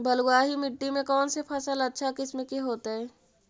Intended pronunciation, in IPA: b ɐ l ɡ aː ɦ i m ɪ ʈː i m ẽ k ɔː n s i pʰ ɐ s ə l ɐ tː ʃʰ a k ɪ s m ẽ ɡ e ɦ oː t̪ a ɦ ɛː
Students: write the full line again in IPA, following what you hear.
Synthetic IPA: b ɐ l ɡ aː ɦ i m ɪ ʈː i m ẽ k ɔː n s e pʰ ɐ s ə l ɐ tː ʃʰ a k ɪ s m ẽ k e ɦ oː t̪ a ɦ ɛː